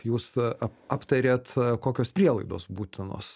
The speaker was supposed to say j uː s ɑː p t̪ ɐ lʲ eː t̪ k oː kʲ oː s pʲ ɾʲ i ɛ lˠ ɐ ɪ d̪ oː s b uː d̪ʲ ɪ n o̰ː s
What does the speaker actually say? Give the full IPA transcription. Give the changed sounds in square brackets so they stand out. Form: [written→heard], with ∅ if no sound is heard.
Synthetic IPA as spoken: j uː s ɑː p t̪ ɐ [lʲ→ɾʲ] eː t̪ k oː kʲ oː s pʲ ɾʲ i ɛ lˠ ɐ ɪ d̪ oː s b uː [d̪ʲ→t̪ʲ] ɪ n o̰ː s

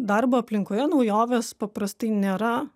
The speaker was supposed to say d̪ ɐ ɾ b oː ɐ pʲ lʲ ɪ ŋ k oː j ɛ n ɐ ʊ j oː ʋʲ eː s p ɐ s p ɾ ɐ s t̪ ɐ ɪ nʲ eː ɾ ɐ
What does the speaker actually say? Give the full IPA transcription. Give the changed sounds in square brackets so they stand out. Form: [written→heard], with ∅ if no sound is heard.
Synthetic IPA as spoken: d̪ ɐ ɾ b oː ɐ pʲ lʲ ɪ ŋ k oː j ɛ n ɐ ʊ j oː ʋʲ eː s p ɐ [s→∅] p ɾ ɐ s t̪ ɐ ɪ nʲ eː ɾ ɐ

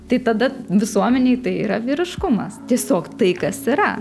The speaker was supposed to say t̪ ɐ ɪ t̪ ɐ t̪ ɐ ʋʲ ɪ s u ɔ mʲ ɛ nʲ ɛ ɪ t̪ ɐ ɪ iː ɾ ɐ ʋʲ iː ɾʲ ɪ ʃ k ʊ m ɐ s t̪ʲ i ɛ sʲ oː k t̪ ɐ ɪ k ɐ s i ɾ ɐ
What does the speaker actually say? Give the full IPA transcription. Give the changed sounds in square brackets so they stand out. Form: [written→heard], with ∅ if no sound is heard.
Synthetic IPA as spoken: t̪ ɐ ɪ t̪ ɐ [t̪→d̪] ɐ ʋʲ ɪ s u ɔ mʲ ɛ nʲ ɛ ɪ t̪ ɐ ɪ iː ɾ ɐ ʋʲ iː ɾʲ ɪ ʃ k ʊ m ɐ s t̪ʲ i ɛ sʲ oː k t̪ ɐ ɪ k ɐ s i ɾ ɐ

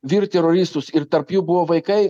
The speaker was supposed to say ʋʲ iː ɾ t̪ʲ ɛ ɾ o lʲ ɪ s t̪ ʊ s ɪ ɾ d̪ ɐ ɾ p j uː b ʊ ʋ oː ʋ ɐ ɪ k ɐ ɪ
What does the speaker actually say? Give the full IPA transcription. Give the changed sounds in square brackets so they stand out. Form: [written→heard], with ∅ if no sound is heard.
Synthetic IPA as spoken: ʋʲ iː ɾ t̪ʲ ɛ ɾ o [lʲ→ɾʲ] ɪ s t̪ ʊ s ɪ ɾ [d̪→t̪] ɐ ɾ p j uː b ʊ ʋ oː ʋ ɐ ɪ k ɐ ɪ

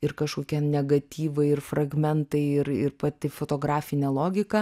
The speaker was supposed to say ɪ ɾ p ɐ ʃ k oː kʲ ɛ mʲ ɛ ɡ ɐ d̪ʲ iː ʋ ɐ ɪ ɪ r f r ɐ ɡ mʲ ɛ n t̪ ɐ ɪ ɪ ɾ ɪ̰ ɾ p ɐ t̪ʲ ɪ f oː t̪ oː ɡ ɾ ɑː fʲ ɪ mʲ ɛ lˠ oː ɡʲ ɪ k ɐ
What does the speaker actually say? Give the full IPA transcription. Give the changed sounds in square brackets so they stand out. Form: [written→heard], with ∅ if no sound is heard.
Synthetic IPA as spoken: ɪ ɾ [p→k] ɐ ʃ k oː kʲ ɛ [mʲ→nʲ] ɛ ɡ ɐ [d̪ʲ→t̪ʲ] iː ʋ ɐ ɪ ɪ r f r ɐ ɡ mʲ ɛ n t̪ ɐ ɪ ɪ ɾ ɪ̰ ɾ p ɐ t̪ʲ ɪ f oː t̪ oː ɡ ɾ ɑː fʲ ɪ [mʲ→nʲ] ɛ lˠ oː ɡʲ ɪ k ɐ

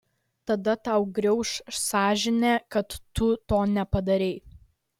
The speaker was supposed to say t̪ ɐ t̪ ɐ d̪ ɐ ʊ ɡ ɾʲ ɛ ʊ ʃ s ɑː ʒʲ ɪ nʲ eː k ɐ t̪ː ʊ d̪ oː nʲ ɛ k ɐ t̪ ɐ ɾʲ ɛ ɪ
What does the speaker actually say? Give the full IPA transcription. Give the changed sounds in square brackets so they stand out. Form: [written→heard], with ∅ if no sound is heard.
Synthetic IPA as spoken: t̪ ɐ [t̪→d̪] ɐ [d̪→t̪] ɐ ʊ ɡ ɾʲ ɛ ʊ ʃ s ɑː ʒʲ ɪ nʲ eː k ɐ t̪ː ʊ [d̪→t̪] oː nʲ ɛ [k→p] ɐ [t̪→d̪] ɐ ɾʲ ɛ ɪ

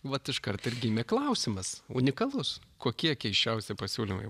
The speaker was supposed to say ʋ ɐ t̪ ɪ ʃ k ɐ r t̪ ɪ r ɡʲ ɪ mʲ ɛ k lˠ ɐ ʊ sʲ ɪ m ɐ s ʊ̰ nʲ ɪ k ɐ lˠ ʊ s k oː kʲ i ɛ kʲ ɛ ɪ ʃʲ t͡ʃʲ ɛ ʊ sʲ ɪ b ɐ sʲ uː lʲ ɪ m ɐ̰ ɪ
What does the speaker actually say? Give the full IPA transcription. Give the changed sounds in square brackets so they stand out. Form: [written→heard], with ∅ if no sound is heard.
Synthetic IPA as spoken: ʋ ɐ t̪ ɪ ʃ k ɐ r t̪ ɪ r ɡʲ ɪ mʲ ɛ k lˠ ɐ ʊ sʲ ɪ m ɐ s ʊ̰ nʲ ɪ k ɐ lˠ ʊ s k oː kʲ i ɛ kʲ ɛ ɪ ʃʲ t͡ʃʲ ɛ ʊ sʲ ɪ [b→p] ɐ sʲ uː lʲ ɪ m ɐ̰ ɪ

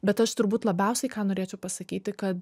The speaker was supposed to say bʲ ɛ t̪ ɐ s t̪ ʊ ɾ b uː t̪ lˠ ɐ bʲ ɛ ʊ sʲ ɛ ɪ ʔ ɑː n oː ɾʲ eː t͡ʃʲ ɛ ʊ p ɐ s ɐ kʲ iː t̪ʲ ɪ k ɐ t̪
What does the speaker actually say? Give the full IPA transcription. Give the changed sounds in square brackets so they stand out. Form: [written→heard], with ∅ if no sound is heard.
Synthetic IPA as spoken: bʲ ɛ t̪ ɐ [s→ʃ] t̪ ʊ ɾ b uː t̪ lˠ ɐ bʲ ɛ ʊ sʲ ɛ ɪ [ʔ→k] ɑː n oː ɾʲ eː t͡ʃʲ ɛ ʊ p ɐ s ɐ kʲ iː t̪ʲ ɪ k ɐ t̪

